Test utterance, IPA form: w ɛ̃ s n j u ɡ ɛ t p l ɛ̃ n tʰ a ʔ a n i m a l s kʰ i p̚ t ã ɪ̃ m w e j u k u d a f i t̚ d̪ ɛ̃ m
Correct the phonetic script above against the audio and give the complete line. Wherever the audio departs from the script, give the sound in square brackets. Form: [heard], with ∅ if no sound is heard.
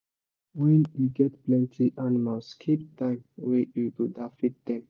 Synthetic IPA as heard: w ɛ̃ [∅] n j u ɡ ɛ t p l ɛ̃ n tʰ [i] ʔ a n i m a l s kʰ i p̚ t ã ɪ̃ m w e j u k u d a f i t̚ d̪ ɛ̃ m